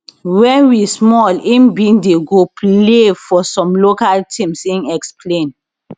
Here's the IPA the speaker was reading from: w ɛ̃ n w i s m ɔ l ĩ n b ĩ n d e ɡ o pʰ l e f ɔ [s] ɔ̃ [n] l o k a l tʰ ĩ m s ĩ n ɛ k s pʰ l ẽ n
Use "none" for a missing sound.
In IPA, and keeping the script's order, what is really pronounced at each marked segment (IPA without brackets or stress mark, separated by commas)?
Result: s, m